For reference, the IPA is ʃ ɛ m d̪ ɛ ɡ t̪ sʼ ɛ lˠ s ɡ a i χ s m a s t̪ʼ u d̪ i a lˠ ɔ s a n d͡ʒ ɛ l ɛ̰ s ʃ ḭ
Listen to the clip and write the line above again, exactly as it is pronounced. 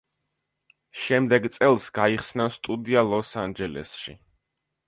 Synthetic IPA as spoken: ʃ ɛ m d̪ ɛ ɡ t̪ sʼ ɛ lˠ s ɡ a i χ s n a s t̪ʼ u d̪ i a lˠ ɔ s a n d͡ʒ ɛ l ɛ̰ s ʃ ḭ